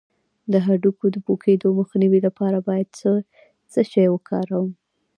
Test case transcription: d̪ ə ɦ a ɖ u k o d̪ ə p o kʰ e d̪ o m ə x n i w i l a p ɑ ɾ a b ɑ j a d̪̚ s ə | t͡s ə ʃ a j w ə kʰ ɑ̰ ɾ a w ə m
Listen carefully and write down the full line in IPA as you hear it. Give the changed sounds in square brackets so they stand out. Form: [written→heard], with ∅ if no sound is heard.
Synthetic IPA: d̪ ə ɦ a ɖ u k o d̪ ə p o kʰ e d̪ o m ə x n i w i l a p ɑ ɾ a b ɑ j a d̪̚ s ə | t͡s ə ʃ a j w ə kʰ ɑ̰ ɾ a w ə m